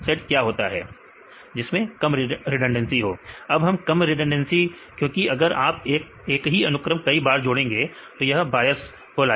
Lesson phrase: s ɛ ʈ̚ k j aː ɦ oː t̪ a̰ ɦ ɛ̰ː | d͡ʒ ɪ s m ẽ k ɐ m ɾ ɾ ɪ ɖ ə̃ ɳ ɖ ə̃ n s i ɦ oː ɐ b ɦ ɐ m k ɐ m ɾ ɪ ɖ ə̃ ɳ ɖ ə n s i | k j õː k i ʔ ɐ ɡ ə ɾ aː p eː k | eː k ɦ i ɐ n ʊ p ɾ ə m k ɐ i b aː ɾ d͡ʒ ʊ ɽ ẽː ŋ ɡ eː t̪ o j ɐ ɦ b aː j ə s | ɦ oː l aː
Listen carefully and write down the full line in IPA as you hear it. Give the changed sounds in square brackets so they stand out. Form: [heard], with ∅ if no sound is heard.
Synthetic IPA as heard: s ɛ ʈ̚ k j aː ɦ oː t̪ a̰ ɦ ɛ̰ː | d͡ʒ ɪ s m ẽ k ɐ m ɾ ɾ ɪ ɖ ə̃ ɳ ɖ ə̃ n s i ɦ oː ɐ b ɦ ɐ m k ɐ m ɾ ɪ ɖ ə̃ ɳ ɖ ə n s i | k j õː k i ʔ ɐ ɡ ə ɾ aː p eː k | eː k ɦ i ɐ n ʊ [k] ɾ ə m k ɐ i b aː ɾ d͡ʒ ʊ ɽ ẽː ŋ ɡ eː t̪ o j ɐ ɦ b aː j ə s | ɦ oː l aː